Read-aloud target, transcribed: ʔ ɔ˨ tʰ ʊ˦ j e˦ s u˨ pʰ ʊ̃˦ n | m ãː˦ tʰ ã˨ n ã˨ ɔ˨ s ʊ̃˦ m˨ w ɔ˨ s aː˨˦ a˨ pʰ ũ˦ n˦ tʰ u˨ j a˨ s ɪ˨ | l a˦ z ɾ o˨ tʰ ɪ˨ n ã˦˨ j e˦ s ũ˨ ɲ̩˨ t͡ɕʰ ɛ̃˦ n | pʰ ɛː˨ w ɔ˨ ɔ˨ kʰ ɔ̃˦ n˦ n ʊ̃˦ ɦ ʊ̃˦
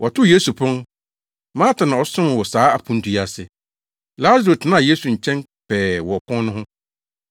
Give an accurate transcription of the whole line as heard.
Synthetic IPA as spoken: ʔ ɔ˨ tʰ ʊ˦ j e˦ s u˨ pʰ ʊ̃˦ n | m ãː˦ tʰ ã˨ n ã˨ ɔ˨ s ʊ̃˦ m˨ w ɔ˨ s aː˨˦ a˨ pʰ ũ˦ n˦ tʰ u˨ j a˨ s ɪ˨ | l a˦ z ɾ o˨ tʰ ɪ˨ n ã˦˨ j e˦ s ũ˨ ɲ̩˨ t͡ɕʰ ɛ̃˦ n | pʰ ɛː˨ w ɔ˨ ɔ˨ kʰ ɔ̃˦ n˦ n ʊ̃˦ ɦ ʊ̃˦

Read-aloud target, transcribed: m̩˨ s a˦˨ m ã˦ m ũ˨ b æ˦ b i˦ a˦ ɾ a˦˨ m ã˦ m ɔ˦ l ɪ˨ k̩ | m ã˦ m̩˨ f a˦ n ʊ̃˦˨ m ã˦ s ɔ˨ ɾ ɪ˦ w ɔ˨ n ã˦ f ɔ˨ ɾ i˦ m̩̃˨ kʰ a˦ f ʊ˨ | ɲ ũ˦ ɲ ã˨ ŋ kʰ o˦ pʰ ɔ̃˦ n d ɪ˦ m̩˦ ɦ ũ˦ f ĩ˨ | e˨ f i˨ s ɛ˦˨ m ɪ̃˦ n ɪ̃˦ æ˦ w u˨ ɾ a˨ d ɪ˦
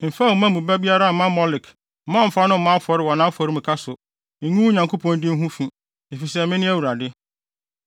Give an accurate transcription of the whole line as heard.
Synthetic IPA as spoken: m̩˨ f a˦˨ m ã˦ m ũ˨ b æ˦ b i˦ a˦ ɾ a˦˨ m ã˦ m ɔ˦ l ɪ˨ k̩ | m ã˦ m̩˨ f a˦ n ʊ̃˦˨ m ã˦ f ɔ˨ ɾ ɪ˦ w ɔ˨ n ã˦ f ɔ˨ ɾ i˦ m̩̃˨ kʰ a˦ s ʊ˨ | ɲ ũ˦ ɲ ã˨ ŋ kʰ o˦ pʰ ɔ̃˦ n d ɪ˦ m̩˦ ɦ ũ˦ f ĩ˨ | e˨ f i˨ s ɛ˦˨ m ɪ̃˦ n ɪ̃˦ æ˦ w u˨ ɾ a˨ d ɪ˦

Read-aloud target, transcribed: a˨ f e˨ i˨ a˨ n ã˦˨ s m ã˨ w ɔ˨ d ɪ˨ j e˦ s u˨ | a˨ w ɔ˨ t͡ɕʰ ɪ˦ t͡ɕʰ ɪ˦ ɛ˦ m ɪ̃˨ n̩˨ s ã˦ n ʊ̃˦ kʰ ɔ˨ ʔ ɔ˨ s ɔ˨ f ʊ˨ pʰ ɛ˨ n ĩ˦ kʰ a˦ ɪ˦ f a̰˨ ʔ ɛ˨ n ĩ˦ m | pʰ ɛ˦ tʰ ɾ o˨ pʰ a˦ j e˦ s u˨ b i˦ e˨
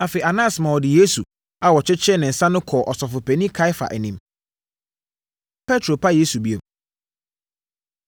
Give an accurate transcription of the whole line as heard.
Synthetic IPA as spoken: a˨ f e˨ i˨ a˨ n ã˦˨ s m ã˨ w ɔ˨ d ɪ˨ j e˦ s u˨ | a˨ w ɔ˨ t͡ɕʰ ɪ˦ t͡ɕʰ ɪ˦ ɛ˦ n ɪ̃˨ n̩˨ s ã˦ n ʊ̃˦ kʰ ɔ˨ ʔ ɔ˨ s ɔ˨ f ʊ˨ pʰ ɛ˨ n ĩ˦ kʰ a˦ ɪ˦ f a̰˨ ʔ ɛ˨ n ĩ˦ m | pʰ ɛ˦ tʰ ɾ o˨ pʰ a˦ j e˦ s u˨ b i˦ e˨

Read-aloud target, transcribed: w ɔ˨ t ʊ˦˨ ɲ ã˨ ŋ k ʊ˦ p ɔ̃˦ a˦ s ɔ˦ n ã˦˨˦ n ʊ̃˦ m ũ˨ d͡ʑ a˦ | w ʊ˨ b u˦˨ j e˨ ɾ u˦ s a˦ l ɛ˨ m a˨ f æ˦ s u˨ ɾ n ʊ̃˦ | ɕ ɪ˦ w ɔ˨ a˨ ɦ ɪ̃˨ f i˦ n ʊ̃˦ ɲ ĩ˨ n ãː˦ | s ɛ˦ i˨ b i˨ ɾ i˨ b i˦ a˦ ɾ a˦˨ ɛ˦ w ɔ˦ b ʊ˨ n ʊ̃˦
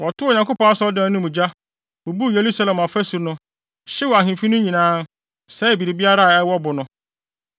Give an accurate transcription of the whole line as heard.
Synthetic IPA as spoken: w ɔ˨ t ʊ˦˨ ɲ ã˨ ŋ k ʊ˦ p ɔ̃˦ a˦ s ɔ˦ d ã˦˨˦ n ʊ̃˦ m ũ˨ d͡ʑ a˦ | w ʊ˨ b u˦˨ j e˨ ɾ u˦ s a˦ l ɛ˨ m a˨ f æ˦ s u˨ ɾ n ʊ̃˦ | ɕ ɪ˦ w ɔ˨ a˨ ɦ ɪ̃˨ f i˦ n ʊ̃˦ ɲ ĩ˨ n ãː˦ | s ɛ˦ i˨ b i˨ ɾ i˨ b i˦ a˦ ɾ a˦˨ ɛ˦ w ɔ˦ b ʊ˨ n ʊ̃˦

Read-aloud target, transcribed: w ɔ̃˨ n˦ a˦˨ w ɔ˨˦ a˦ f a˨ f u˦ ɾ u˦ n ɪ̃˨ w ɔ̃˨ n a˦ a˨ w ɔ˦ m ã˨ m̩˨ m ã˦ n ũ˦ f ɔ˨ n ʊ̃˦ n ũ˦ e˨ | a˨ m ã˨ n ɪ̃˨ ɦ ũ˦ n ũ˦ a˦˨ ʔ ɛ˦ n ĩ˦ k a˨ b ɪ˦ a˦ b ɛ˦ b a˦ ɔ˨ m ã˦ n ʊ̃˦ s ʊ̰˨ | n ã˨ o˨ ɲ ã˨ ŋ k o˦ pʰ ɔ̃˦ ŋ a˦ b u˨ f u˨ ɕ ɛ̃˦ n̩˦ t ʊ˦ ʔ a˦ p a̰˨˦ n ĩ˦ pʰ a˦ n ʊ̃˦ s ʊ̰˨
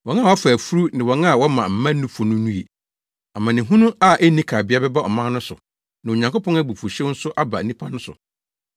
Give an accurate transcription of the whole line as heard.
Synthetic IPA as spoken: w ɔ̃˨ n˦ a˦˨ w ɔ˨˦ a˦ f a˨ f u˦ ɾ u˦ n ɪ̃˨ w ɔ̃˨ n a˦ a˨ w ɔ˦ m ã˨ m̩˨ m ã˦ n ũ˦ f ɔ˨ n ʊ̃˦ n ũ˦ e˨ | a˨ m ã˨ n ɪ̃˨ ɦ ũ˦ n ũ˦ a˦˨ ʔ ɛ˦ n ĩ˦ kʰ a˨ b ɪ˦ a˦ b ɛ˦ b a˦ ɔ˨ m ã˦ n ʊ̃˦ s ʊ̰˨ | n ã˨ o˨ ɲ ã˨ ŋ k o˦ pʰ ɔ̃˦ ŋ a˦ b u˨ f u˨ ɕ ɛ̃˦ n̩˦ s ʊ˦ ʔ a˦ b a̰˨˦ n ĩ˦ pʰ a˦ n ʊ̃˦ s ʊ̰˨

